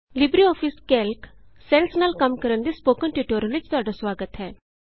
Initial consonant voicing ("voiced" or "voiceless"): voiced